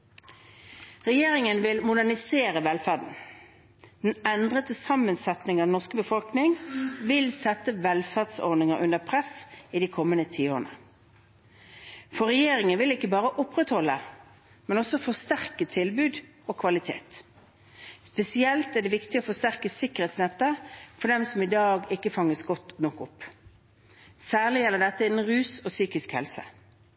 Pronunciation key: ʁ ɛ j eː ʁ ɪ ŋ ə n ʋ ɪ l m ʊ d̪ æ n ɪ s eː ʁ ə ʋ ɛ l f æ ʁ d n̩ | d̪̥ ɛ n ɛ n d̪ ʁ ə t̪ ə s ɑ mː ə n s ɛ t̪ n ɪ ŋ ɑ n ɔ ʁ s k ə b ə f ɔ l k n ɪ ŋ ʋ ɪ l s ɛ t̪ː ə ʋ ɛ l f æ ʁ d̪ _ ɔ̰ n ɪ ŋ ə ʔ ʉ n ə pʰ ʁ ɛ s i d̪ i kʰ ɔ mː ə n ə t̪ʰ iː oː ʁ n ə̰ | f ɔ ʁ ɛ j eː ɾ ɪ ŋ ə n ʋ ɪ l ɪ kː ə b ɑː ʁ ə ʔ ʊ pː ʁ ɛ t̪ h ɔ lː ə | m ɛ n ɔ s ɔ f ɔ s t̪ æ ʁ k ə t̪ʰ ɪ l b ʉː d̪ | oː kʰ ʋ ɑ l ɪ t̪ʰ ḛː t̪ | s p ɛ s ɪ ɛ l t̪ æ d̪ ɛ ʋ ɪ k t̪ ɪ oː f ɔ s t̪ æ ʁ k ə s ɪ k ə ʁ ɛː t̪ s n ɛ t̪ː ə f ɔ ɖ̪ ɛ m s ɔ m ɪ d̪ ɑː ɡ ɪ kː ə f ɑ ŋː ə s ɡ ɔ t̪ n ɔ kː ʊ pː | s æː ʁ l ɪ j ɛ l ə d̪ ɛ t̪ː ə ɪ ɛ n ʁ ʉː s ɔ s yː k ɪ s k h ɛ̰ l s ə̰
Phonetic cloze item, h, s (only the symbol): s